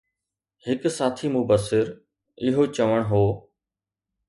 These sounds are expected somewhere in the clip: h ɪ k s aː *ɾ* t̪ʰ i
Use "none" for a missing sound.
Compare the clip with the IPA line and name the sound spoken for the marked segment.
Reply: none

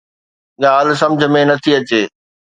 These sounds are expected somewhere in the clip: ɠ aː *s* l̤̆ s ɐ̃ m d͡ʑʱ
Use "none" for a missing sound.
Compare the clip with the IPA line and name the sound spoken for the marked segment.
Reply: none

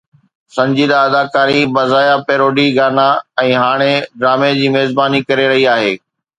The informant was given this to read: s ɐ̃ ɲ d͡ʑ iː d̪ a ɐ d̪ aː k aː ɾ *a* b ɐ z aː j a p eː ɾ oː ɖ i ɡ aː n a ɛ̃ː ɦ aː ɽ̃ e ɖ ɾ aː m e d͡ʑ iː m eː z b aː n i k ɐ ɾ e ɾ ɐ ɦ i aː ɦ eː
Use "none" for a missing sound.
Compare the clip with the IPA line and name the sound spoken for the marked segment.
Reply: i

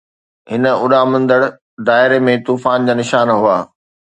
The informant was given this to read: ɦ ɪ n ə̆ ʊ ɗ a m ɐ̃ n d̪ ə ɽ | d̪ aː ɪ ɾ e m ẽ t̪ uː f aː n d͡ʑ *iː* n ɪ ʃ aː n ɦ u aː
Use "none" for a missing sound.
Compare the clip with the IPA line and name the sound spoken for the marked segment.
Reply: aː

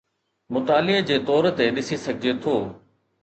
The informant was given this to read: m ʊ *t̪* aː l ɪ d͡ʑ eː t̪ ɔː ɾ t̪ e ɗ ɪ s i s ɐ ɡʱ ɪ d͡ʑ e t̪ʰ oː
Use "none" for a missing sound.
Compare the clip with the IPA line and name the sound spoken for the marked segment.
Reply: t̪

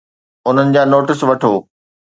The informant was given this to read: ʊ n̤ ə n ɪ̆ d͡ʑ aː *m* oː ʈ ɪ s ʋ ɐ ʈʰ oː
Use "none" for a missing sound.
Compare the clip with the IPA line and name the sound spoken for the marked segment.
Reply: n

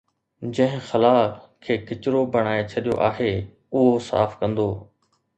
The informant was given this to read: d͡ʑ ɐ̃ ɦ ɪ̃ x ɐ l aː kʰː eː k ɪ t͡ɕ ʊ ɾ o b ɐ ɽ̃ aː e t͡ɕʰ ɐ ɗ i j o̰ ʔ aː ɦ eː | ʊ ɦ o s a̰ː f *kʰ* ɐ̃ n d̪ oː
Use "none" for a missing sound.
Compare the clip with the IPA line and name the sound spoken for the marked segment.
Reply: k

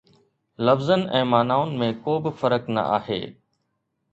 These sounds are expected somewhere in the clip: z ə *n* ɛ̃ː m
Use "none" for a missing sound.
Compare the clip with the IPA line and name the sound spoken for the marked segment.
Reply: n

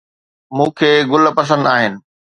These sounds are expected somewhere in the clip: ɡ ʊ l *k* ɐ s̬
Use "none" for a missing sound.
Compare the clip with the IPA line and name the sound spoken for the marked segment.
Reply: p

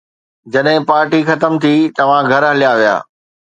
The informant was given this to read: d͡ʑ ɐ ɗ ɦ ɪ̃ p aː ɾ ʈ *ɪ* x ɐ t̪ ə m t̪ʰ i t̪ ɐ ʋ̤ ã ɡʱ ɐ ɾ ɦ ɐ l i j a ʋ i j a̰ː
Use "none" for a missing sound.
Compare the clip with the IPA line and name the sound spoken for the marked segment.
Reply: i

